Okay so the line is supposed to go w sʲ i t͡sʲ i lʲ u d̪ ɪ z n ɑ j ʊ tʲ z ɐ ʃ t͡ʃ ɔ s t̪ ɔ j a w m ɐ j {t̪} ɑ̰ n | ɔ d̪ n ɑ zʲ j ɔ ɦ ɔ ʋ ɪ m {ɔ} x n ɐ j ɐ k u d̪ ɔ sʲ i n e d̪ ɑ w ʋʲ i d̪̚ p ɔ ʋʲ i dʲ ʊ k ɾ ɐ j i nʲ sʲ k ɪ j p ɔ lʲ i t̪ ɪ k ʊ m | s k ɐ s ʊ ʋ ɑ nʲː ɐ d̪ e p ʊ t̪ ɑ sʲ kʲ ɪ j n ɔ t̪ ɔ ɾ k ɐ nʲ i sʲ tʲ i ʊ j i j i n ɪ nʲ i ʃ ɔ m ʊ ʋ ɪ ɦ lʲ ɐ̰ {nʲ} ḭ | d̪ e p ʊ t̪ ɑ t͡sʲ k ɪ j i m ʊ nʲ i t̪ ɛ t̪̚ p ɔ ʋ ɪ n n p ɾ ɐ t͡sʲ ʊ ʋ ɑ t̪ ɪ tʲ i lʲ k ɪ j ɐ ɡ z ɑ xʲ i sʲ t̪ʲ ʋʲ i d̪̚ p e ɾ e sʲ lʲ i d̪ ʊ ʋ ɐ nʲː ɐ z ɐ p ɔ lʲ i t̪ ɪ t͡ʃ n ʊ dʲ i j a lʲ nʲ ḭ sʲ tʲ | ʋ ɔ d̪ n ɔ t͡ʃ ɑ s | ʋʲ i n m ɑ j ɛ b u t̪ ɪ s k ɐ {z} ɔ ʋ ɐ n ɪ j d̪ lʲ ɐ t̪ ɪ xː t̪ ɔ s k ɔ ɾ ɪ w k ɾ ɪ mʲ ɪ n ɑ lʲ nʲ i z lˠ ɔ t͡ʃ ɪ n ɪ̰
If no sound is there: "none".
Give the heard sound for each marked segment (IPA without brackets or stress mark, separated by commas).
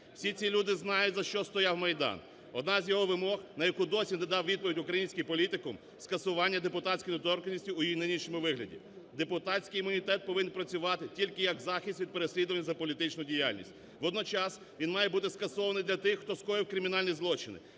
d̪, ɔ, dʲ, s